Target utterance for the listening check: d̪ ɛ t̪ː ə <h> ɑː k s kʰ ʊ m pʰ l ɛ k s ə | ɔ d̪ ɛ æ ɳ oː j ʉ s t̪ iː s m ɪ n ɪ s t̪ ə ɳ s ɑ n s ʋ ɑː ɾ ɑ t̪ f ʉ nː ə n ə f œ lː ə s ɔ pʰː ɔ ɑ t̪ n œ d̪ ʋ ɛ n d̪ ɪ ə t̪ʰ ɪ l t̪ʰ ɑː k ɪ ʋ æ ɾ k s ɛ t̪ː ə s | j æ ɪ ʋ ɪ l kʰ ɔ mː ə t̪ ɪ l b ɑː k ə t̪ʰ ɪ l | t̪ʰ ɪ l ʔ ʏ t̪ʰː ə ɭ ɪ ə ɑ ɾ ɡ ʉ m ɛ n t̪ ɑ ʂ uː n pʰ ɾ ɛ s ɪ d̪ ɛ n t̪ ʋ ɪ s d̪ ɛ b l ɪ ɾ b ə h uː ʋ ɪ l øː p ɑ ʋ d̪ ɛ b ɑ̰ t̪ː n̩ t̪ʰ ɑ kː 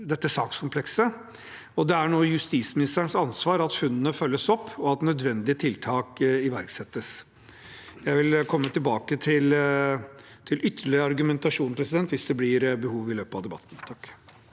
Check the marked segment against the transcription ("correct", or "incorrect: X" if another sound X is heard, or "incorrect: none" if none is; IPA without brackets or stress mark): incorrect: s